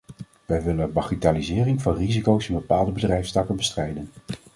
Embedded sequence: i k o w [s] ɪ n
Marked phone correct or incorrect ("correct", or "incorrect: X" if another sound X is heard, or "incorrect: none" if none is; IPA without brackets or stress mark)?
correct